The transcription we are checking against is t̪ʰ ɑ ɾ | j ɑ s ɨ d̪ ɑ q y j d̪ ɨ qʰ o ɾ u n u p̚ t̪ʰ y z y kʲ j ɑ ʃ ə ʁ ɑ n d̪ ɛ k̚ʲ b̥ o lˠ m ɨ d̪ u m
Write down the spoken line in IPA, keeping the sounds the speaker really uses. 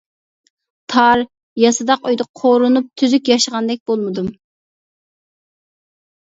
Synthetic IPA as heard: t̪ʰ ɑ ɾ | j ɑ s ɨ d̪ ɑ q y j d̪ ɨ qʰ o ɾ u n u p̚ t̪ʰ y z y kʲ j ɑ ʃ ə ʁ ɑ n d̪ ɛ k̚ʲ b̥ o lˠ m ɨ d̪ u m